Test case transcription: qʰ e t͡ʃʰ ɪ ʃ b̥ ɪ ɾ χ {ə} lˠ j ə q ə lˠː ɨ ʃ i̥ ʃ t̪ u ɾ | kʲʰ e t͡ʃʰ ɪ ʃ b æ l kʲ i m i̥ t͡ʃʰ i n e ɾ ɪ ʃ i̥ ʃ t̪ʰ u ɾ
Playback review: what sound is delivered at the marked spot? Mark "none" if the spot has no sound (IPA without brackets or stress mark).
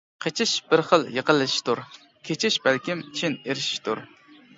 ə